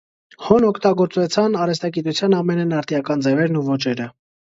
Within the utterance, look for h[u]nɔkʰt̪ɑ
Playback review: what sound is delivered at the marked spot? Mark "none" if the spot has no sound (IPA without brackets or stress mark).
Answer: ɔ